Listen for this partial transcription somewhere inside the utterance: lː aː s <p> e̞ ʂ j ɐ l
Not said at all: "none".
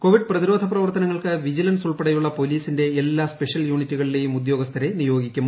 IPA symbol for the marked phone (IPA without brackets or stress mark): p